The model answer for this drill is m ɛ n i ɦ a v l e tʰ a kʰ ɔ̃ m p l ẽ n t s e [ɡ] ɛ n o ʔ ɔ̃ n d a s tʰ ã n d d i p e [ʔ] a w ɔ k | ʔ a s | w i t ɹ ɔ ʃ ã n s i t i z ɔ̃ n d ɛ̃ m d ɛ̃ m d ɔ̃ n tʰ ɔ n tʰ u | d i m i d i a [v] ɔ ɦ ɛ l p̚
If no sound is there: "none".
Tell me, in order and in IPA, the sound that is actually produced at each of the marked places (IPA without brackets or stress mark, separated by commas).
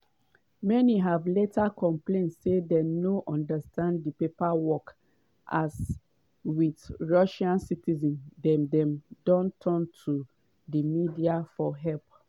d, p, f